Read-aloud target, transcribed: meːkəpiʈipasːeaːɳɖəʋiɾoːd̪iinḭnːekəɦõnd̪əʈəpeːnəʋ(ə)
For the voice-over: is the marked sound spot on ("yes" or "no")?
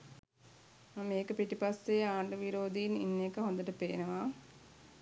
no